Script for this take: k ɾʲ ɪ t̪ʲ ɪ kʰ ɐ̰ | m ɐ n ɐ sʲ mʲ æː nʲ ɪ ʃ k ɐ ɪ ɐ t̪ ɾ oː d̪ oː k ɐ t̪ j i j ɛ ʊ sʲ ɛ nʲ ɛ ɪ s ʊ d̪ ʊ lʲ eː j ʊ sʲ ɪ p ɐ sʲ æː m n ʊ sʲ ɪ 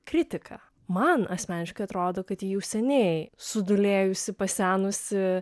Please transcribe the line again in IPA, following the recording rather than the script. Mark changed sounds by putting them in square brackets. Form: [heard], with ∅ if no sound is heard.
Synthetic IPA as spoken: k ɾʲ ɪ t̪ʲ ɪ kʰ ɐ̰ | m ɐ n ɐ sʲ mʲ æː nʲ ɪ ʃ k ɐ ɪ ɐ t̪ ɾ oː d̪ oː k ɐ t̪ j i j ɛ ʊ sʲ ɛ nʲ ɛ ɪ s ʊ d̪ ʊ lʲ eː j ʊ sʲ ɪ p ɐ sʲ æː [∅] n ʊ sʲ ɪ

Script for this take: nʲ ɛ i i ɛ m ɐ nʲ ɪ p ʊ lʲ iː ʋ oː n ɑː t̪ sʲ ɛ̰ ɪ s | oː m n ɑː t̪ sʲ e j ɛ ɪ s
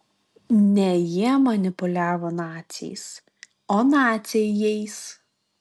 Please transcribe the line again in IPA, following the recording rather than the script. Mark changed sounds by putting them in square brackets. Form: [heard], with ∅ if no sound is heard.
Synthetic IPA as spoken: nʲ ɛ [j] i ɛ m ɐ nʲ ɪ p ʊ lʲ [æː] ʋ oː n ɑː t̪ sʲ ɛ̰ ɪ s | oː [∅] n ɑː t̪ sʲ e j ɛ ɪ s

